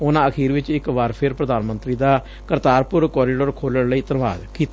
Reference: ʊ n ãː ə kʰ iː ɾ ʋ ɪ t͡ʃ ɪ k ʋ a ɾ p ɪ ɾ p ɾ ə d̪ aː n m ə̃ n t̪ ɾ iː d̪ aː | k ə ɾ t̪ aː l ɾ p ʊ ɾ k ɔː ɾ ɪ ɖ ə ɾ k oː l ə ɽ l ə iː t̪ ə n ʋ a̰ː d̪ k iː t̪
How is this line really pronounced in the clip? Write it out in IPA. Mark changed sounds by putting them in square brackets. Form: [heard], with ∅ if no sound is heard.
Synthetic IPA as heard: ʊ n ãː ə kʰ iː ɾ ʋ ɪ t͡ʃ ɪ k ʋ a ɾ [pʰ] ɪ ɾ p ɾ ə d̪ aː n m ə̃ n t̪ ɾ iː d̪ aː | k ə ɾ t̪ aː [∅] ɾ p ʊ ɾ k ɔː ɾ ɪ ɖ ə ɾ [kʰ] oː l ə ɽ l ə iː t̪ ə n ʋ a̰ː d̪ k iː t̪